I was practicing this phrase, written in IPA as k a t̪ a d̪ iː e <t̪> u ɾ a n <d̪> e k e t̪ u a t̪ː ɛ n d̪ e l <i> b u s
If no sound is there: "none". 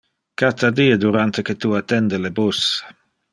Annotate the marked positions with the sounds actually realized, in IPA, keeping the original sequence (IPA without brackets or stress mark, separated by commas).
d̪, t̪, e